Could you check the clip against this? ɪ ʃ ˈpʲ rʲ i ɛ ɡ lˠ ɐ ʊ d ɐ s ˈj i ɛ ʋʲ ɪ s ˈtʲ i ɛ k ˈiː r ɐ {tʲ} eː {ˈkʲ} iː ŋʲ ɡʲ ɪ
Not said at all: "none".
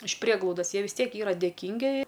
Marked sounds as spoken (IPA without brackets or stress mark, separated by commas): dʲ, kʲ